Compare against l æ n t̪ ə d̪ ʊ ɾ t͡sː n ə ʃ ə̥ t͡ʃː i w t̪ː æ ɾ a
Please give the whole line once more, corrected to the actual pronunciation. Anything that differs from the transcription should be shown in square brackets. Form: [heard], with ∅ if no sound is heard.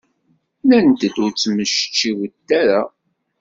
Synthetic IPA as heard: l æ n t̪ ə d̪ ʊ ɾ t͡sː [m] ə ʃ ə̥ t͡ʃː i w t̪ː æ ɾ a